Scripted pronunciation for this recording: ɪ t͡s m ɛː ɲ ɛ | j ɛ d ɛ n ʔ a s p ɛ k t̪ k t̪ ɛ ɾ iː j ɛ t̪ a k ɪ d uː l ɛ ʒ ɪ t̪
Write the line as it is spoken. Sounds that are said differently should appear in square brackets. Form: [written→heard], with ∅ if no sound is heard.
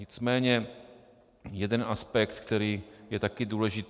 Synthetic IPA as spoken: ɪ t͡s m ɛː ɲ ɛ | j ɛ d ɛ n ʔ a s p ɛ k t̪ k t̪ ɛ ɾ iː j ɛ t̪ a k ɪ d uː l ɛ ʒ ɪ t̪